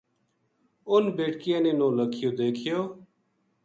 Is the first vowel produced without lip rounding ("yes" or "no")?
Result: no